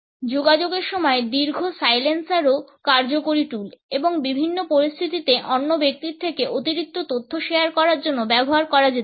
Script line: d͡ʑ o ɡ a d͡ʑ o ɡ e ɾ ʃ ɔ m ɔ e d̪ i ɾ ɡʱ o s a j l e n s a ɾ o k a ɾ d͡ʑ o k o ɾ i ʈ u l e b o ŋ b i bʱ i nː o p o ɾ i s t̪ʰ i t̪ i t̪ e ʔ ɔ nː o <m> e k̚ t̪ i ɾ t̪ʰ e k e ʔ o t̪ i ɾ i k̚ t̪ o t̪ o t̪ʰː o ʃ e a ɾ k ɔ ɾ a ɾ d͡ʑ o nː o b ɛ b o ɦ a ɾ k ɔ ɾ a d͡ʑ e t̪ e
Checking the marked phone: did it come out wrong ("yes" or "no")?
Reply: yes